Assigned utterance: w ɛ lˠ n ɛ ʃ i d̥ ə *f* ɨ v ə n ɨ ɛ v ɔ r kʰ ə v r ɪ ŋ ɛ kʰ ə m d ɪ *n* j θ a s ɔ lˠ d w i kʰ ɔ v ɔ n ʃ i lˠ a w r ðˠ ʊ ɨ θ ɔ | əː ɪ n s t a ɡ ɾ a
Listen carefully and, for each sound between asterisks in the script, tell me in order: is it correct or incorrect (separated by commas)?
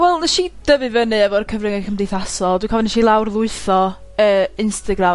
incorrect, incorrect